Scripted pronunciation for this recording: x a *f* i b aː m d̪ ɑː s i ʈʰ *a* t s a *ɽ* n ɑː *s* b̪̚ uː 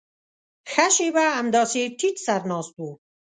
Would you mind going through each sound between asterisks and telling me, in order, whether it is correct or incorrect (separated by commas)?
incorrect, incorrect, incorrect, correct